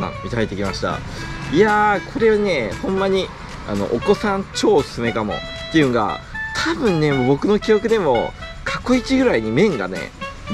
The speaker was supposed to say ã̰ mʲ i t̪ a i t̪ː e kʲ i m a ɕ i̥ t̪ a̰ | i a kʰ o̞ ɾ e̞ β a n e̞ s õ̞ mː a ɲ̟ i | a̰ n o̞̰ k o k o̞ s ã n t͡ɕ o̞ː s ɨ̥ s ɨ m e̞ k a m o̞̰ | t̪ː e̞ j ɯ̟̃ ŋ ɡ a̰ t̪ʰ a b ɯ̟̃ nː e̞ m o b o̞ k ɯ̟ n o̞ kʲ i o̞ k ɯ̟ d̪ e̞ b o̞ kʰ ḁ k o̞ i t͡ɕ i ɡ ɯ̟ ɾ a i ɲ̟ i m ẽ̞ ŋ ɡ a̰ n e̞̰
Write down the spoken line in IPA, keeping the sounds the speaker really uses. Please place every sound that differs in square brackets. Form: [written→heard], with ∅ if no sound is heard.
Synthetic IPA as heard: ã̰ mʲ i t̪ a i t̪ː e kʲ i m a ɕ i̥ t̪ a̰ | i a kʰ o̞ ɾ e̞ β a n e̞ [s→h] õ̞ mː a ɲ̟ i | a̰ n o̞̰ [k→ʔ] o k o̞ s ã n t͡ɕ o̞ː s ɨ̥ s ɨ m e̞ k a m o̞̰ | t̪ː e̞ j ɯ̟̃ ŋ ɡ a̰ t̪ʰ a b ɯ̟̃ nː e̞ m o b o̞ k ɯ̟ n o̞ kʲ i o̞ k ɯ̟ d̪ e̞ [b→m] o̞ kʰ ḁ k o̞ i t͡ɕ i ɡ ɯ̟ ɾ a i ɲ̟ i m ẽ̞ ŋ ɡ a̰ n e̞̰